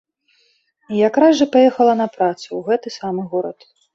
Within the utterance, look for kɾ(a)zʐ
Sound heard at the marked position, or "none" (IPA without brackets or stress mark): a